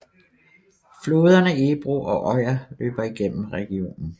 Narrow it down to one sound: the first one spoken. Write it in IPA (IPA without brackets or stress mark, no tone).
f